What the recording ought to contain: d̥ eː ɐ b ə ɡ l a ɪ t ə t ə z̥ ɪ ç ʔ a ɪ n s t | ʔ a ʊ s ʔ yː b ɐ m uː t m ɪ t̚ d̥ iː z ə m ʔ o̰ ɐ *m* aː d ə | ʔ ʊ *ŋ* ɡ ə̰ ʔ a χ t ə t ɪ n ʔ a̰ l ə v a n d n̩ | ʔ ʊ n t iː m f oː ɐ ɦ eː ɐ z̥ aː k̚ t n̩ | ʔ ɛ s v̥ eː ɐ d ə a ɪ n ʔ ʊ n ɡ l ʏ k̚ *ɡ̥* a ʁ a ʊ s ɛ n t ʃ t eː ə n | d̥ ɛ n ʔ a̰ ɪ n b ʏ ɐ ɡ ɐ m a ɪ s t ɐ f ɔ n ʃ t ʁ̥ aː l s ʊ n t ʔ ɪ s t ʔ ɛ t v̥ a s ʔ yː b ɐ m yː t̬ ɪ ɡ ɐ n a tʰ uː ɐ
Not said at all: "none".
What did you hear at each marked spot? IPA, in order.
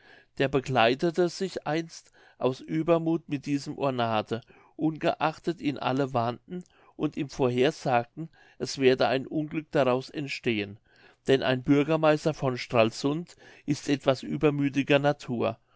n, n, d̥

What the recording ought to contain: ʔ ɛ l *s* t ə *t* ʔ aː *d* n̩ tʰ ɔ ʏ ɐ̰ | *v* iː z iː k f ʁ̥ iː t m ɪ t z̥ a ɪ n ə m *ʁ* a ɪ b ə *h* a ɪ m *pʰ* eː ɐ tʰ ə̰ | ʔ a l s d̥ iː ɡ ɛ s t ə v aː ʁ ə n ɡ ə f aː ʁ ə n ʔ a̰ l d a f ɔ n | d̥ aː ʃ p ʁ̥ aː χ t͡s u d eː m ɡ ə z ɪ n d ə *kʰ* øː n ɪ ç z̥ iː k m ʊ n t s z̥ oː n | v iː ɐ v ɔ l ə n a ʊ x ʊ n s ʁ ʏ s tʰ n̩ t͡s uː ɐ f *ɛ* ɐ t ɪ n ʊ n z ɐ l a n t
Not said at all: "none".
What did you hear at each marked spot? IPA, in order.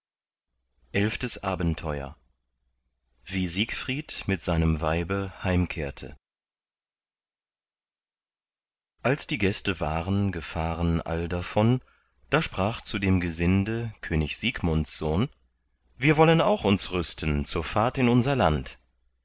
f, s, b, v, v, h, kʰ, kʰ, a

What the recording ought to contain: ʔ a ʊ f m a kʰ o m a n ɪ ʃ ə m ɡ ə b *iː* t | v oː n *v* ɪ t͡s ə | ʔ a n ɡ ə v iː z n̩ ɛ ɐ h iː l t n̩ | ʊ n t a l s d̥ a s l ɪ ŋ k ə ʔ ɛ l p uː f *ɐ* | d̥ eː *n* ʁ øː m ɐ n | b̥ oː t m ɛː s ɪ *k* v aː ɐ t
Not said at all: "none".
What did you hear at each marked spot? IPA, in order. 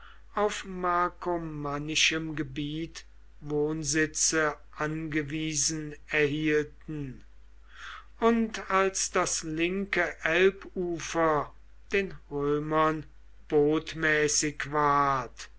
iː, z, ɐ, n, k

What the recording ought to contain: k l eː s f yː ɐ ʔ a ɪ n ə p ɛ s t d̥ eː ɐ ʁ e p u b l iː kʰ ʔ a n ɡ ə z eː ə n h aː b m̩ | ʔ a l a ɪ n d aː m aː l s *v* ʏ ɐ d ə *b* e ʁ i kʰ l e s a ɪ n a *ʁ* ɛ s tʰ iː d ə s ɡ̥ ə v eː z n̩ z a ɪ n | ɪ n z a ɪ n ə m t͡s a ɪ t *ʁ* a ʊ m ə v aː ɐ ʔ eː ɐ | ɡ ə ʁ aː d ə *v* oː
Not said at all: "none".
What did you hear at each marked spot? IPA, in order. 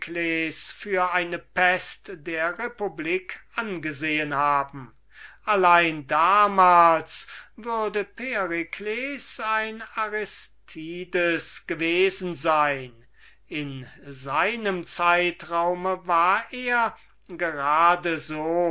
v, p, ʁ, ʁ, z

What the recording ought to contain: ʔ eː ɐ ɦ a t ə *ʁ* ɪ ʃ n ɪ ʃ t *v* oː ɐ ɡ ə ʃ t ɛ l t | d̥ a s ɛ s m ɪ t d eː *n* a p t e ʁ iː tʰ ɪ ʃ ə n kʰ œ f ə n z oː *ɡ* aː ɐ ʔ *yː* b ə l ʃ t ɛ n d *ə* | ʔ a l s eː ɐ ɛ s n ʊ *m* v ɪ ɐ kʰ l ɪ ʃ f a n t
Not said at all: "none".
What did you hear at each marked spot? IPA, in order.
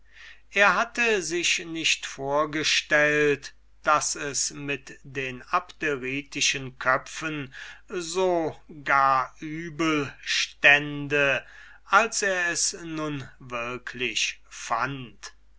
z, f, n, ɡ, yː, ə, n

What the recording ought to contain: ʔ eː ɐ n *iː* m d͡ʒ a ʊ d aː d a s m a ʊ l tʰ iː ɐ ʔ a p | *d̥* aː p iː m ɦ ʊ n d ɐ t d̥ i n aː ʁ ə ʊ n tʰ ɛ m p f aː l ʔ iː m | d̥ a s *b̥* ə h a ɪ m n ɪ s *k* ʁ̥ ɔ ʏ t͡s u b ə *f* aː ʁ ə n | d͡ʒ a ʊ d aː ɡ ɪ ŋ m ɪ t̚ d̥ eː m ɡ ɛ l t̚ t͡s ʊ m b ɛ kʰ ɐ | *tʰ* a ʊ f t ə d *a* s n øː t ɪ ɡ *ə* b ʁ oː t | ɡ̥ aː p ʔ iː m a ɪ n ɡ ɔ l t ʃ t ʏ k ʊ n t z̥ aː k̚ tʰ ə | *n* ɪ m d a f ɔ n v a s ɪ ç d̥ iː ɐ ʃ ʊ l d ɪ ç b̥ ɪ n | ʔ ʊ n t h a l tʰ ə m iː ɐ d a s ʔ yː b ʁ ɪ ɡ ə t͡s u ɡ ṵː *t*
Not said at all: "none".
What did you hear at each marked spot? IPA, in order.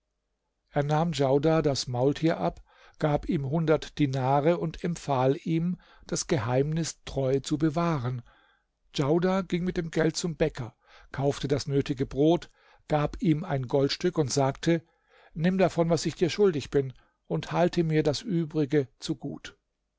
aː, ɡ̥, ɡ̥, t, v, kʰ, a, ə, n, t

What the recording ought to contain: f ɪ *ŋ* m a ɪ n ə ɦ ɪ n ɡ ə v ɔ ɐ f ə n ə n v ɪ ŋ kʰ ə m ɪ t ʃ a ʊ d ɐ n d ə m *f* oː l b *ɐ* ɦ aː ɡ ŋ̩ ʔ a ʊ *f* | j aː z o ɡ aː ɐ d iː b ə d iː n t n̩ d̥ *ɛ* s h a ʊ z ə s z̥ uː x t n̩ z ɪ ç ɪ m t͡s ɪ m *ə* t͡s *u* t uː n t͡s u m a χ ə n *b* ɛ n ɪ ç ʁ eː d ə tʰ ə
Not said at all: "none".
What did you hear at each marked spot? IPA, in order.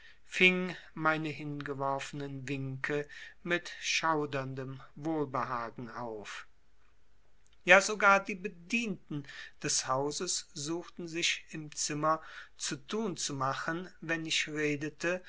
ŋ, v, ə, f, ɛ, ɐ, u, v

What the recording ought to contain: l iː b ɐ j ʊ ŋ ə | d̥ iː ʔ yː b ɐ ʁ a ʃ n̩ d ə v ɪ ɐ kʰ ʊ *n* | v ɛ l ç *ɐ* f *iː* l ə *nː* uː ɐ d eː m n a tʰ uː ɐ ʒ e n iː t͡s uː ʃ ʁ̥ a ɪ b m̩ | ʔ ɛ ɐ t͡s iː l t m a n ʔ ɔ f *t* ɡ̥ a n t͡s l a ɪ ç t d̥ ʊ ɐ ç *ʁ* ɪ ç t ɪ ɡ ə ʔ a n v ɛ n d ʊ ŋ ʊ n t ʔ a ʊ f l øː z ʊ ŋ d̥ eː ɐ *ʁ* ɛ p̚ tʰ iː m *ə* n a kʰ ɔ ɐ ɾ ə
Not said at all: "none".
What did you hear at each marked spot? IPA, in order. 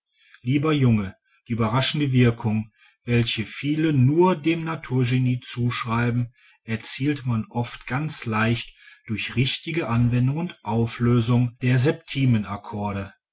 ŋ, ə, iː, n, t, ʁ, z, ə

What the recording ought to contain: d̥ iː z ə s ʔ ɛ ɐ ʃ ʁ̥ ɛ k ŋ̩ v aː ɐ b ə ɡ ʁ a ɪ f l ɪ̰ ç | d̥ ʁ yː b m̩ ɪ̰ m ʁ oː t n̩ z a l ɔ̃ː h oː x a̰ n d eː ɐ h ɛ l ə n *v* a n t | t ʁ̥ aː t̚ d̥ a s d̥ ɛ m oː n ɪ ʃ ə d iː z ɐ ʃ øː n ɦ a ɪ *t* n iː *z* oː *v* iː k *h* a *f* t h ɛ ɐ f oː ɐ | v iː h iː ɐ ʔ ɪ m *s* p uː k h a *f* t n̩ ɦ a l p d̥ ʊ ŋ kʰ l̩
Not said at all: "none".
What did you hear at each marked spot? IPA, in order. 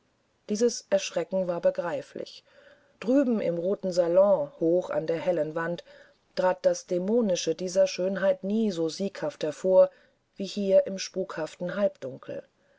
v, t, z, z, h, f, ʃ, f

